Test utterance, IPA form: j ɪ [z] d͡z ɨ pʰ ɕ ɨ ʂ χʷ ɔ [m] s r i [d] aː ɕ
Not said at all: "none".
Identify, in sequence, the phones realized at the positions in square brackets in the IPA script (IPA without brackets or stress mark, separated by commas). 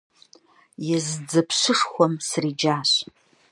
z, m, d͡ʒ